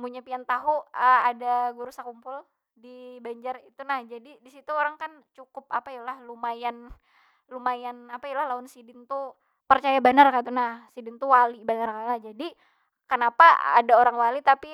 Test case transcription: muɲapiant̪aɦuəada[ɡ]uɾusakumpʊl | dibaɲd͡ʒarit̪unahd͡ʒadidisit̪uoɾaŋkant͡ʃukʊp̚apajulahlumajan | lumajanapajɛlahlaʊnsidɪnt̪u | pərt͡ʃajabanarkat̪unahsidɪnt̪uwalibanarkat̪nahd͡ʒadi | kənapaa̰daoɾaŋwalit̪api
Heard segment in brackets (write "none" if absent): ɡ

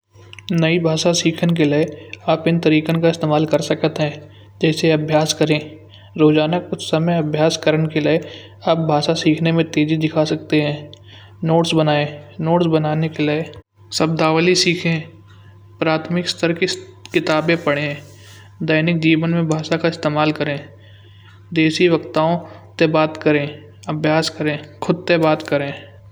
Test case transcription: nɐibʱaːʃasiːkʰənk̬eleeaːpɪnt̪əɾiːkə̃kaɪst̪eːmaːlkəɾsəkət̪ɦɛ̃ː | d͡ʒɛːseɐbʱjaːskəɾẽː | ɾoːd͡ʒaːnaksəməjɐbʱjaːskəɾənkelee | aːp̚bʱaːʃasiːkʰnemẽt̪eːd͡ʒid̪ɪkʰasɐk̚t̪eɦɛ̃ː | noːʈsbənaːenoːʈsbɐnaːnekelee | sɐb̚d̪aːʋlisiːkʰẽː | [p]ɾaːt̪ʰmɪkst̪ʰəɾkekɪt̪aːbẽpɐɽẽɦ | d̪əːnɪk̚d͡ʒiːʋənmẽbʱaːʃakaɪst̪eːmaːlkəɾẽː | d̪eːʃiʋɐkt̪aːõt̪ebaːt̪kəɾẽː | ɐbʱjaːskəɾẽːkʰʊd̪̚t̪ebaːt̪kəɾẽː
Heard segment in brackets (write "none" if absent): p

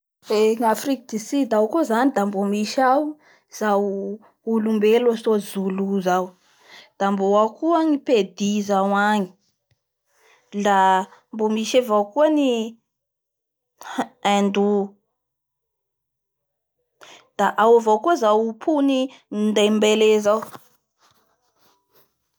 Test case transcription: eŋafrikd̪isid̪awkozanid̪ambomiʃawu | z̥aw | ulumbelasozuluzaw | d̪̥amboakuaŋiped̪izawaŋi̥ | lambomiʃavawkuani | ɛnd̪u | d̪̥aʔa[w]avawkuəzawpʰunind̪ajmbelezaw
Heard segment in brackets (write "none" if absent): w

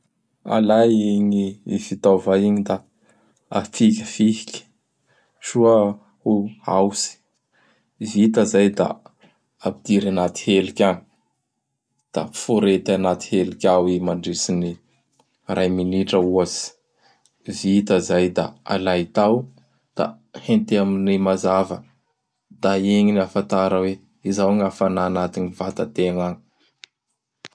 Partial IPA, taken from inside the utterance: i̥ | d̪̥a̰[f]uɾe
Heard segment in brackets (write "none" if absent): f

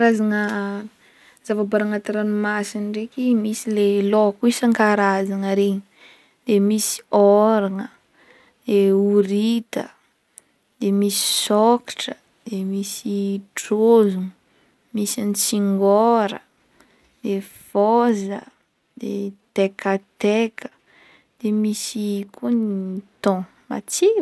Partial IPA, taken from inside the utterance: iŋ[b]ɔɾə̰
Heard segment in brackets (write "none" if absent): ɡ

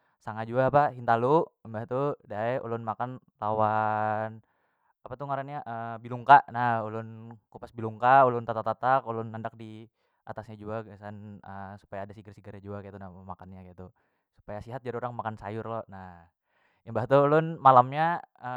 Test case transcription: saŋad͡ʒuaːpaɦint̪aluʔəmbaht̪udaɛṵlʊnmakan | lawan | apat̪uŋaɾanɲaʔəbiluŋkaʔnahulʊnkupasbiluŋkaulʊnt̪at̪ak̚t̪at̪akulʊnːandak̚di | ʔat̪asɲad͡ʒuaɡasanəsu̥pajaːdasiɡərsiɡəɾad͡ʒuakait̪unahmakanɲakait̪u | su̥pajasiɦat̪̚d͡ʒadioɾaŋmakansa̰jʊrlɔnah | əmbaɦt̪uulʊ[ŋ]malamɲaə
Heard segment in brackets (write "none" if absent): n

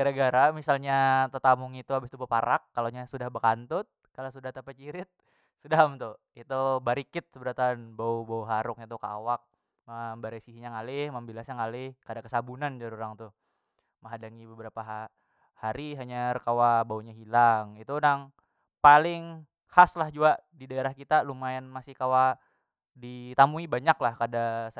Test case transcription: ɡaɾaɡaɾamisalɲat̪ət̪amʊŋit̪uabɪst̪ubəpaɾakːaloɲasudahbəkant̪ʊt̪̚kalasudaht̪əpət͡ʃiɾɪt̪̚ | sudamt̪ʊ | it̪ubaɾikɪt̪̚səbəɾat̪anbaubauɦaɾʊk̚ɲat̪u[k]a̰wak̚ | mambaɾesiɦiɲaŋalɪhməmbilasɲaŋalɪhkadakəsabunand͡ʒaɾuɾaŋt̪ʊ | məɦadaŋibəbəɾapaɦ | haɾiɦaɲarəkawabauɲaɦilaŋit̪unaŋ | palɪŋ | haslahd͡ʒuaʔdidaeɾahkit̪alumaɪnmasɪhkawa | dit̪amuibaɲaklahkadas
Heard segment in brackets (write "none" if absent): k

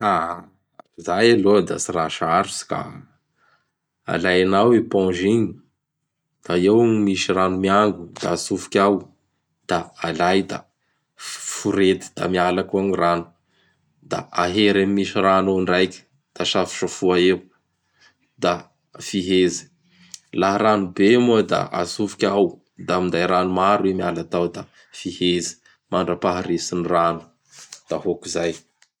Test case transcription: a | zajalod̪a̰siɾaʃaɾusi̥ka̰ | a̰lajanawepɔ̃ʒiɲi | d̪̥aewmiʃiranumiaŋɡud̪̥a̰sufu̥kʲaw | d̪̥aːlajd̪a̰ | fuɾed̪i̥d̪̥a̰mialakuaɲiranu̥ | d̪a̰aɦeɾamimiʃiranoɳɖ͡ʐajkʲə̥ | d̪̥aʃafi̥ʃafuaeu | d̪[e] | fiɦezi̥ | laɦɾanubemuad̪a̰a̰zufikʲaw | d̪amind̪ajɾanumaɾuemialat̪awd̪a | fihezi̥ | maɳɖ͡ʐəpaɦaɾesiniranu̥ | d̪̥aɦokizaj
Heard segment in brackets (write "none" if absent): a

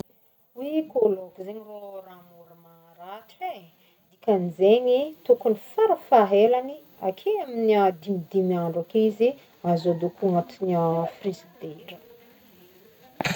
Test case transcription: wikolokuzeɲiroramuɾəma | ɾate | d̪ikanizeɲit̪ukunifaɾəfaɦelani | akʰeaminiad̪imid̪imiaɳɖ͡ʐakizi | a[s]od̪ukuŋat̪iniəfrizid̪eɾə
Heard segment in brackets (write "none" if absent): z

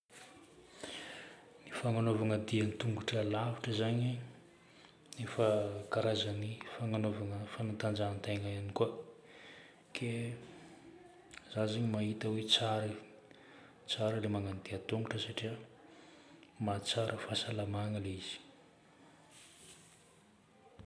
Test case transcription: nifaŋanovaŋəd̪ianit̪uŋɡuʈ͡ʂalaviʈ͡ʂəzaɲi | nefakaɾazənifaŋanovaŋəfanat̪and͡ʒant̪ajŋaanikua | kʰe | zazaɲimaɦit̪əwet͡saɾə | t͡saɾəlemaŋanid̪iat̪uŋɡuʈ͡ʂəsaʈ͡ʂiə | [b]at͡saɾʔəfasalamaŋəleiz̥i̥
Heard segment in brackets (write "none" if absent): m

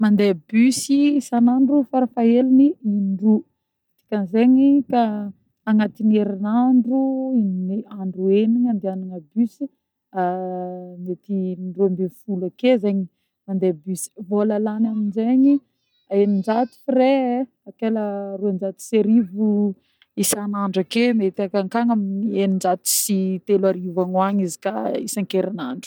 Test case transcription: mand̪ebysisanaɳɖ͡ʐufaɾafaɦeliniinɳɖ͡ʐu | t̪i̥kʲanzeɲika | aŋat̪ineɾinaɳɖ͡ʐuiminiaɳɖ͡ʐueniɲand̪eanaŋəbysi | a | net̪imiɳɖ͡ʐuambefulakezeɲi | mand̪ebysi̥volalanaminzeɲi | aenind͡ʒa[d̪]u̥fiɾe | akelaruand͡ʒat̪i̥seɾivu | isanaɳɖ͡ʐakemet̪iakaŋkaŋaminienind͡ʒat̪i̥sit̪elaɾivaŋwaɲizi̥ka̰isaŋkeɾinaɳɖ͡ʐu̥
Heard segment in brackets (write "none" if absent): t̪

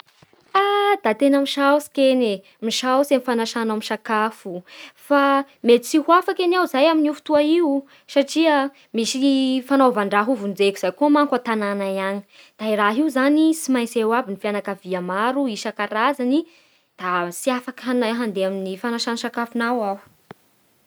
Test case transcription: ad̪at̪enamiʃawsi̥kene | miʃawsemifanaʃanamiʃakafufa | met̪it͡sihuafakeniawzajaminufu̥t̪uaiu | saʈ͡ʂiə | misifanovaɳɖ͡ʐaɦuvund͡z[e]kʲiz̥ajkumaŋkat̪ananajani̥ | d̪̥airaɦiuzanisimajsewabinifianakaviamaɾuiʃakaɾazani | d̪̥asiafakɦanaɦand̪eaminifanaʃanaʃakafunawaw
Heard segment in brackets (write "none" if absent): e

